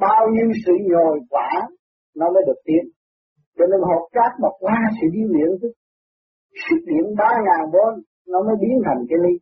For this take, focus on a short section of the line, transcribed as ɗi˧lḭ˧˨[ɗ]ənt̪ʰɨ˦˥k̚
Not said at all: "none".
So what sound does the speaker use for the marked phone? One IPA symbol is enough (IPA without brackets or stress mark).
none